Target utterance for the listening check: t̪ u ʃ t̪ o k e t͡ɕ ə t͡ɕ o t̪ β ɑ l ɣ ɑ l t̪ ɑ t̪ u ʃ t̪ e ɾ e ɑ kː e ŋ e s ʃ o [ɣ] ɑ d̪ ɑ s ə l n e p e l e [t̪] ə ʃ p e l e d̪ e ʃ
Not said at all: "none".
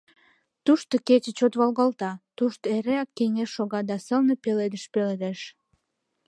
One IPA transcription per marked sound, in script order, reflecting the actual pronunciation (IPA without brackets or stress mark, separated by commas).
ɣ, d̪